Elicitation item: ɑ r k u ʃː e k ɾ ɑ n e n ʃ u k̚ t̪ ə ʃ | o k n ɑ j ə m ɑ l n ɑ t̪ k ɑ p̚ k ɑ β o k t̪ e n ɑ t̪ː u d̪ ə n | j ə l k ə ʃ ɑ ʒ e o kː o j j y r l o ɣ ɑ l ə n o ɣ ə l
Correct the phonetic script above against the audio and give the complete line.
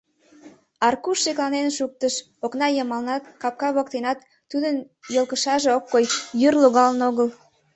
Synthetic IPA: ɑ r k u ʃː e k l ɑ n e n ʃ u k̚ t̪ ə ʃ | o k n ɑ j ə m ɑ l n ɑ t̪ k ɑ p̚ k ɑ β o k t̪ e n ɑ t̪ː u d̪ ə n | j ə l k ə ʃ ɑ ʒ e o kː o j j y r l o ɣ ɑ l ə n o ɣ ə l